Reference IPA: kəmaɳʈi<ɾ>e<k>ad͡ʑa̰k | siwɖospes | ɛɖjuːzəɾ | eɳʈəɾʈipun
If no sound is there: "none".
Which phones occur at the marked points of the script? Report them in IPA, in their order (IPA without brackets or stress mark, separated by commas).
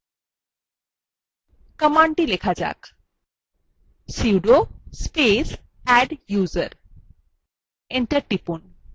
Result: l, kʰ